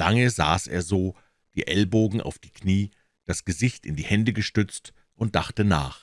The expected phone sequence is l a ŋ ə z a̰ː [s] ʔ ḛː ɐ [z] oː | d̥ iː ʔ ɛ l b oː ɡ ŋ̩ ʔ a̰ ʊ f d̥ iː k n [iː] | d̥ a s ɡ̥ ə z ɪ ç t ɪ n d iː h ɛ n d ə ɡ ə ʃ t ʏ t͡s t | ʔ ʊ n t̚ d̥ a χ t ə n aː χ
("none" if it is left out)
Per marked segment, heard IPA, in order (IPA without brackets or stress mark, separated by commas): s, z, iː